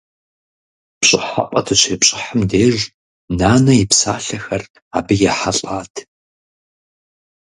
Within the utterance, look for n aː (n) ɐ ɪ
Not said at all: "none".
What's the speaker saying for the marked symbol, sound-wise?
n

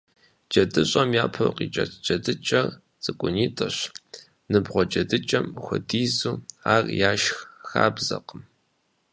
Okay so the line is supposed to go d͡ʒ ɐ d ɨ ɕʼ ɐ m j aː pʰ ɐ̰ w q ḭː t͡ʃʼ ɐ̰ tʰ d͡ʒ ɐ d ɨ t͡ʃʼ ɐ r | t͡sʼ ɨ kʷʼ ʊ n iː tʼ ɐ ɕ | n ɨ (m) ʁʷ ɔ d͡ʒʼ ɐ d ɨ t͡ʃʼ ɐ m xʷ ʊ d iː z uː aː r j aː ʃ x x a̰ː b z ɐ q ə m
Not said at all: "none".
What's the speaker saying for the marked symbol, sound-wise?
b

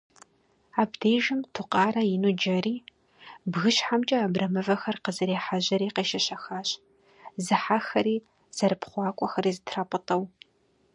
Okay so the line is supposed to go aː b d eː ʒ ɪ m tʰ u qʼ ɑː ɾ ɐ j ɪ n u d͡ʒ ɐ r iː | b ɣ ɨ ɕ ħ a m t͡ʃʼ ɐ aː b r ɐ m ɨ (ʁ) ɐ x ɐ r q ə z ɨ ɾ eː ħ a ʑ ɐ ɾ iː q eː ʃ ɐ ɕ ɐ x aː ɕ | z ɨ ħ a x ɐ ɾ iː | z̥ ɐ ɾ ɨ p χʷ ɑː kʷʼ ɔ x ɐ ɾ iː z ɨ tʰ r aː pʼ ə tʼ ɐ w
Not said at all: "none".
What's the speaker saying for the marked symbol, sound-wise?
v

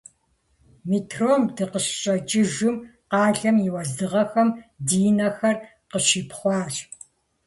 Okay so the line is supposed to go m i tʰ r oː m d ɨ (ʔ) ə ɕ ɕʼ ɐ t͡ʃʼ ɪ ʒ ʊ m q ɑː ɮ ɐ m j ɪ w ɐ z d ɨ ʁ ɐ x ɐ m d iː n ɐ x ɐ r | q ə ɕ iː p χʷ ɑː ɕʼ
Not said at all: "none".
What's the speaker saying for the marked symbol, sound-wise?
q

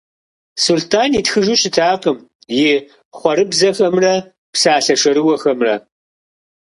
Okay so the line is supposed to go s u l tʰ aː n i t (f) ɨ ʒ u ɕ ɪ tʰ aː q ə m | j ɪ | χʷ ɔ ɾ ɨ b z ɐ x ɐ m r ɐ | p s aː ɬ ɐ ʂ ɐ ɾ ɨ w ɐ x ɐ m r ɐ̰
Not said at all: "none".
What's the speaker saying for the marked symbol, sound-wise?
x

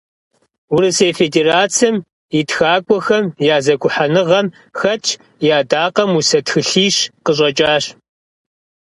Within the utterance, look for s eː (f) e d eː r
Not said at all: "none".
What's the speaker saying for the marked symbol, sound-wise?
f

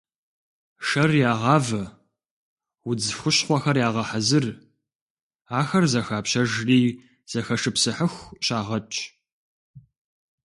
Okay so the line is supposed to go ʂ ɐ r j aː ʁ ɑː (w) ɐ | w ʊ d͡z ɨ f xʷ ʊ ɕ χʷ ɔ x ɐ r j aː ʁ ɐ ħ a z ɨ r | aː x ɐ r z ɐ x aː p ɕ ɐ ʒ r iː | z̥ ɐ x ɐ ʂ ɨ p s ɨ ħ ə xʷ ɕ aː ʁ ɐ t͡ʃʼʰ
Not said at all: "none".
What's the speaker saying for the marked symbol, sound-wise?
v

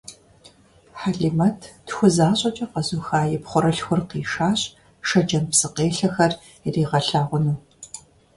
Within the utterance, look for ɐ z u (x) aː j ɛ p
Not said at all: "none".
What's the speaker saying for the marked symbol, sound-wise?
x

